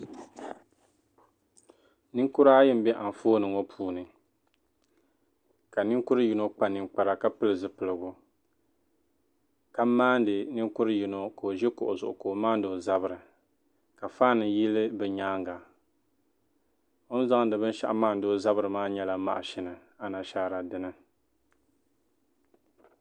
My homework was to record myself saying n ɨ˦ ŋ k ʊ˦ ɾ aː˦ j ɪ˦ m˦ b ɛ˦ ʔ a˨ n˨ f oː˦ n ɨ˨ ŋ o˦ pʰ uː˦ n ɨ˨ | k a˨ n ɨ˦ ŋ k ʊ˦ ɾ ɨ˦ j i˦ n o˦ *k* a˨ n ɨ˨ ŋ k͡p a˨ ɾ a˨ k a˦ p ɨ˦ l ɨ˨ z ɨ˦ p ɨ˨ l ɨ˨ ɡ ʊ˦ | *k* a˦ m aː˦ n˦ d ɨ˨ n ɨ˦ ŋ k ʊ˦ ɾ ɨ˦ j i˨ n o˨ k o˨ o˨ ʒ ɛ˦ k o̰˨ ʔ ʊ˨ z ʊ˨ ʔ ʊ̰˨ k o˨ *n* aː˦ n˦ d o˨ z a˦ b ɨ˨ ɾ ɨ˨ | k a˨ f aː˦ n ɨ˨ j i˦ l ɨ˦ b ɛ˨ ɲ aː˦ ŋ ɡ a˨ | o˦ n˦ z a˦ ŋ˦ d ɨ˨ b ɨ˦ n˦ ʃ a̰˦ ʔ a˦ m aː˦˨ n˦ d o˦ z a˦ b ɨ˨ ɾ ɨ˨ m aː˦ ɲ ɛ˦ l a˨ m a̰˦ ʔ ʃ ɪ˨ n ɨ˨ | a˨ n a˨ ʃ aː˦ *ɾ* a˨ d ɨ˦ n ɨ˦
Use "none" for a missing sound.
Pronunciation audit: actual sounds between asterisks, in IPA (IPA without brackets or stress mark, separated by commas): k͡p, k, m, ɾ